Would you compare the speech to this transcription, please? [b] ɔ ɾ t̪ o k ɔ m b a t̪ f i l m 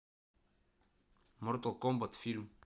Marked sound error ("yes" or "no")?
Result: yes